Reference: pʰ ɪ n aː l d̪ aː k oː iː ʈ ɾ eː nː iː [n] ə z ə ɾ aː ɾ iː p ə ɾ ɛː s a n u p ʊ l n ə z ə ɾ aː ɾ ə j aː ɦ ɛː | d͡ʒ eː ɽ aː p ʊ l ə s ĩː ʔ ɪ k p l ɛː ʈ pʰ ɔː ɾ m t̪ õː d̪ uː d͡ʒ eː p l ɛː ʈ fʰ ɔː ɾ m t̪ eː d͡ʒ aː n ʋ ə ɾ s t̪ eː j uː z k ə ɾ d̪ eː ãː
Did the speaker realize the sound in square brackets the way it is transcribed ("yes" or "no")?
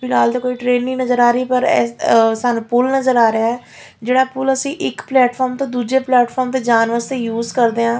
yes